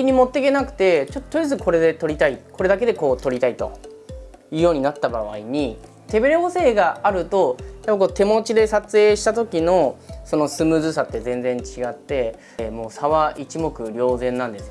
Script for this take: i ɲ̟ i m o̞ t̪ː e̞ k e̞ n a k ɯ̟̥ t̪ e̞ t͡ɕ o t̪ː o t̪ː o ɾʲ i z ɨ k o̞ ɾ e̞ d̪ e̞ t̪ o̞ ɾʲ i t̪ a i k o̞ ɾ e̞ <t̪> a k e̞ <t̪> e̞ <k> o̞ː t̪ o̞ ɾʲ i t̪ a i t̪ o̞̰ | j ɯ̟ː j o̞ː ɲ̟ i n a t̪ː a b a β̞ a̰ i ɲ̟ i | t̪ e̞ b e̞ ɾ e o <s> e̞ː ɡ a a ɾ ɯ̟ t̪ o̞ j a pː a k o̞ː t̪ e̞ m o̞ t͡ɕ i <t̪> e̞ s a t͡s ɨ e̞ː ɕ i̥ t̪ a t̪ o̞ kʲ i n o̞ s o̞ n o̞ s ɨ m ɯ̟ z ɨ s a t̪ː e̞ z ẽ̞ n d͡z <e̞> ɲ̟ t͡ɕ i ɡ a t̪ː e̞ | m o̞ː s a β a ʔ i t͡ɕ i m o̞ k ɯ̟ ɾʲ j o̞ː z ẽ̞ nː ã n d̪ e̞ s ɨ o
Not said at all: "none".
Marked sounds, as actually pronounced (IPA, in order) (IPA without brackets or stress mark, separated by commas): d̪, d̪, k, s, d̪, ẽ̞